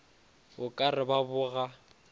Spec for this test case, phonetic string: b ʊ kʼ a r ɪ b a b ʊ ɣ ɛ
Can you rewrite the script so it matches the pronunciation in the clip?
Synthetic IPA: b ʊ kʼ a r ɪ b a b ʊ ɣ a